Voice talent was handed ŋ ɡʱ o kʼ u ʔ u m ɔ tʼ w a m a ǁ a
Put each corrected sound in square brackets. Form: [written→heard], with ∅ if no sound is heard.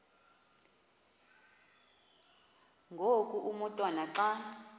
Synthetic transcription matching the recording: ŋ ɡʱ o kʼ u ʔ u m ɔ tʼ w a [m→n] a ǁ a